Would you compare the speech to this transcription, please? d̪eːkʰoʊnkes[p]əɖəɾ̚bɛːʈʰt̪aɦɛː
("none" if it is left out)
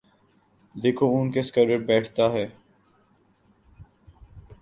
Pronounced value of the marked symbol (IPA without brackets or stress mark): k